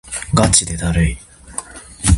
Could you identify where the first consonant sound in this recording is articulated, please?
velar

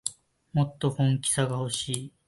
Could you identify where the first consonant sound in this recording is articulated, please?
labial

